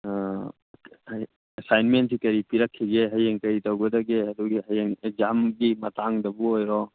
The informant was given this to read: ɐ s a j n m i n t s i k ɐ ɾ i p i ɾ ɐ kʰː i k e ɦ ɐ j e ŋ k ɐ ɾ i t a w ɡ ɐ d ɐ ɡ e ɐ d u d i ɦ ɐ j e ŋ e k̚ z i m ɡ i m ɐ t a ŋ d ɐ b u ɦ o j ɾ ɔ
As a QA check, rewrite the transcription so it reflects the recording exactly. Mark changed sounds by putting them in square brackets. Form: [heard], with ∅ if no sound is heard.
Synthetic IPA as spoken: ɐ s a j n m [e] n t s i k ɐ ɾ i p i ɾ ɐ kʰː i [ɡ] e ɦ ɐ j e ŋ k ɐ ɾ i t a w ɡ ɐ d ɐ ɡ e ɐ d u [ɡ] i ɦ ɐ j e ŋ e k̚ z [a] m ɡ i m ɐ t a ŋ d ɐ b u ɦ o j ɾ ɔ